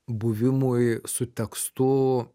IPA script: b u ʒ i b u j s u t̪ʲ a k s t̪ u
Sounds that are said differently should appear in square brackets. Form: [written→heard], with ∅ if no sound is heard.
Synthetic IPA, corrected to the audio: b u [ʒ→v] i [b→m] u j s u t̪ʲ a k s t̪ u